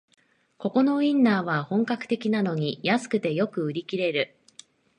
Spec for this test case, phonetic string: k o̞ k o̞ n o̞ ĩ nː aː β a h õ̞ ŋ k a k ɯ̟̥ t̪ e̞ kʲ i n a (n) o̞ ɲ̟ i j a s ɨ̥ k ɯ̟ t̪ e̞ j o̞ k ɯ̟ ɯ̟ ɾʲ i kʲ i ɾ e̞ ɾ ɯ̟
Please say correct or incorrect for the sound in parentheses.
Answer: correct